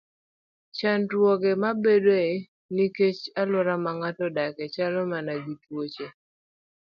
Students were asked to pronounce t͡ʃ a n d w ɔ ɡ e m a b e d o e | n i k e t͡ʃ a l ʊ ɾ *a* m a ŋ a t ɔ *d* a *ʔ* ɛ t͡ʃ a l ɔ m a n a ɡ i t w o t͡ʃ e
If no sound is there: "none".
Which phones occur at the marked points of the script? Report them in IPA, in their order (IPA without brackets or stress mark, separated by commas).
a, d, k